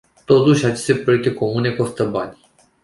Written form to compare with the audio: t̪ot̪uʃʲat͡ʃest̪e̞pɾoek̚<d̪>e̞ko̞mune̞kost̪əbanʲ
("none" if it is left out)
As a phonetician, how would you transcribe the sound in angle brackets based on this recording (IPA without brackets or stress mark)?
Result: t̪